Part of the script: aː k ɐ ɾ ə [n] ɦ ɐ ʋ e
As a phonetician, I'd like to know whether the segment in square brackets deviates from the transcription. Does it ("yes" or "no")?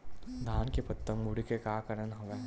no